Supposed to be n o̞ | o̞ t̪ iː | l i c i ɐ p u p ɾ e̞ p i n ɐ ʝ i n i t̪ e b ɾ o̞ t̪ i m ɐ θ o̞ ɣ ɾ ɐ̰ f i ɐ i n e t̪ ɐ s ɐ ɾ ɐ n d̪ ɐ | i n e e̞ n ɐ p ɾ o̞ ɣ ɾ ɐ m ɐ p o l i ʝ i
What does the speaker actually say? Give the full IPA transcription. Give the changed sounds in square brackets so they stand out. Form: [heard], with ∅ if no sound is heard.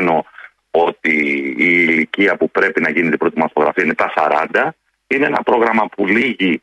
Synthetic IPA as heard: n o̞ | o̞ t̪ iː | l i c i ɐ p u p ɾ e̞ p i n ɐ ʝ i n i t̪ [i] b ɾ o̞ t̪ i m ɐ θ o̞ ɣ ɾ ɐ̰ f i ɐ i n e t̪ ɐ s ɐ ɾ ɐ n d̪ ɐ | i n e e̞ n ɐ p ɾ o̞ ɣ ɾ ɐ m ɐ p [u] l i ʝ i